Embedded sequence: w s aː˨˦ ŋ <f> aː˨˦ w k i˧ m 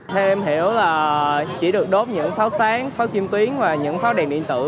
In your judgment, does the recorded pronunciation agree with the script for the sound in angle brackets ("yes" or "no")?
yes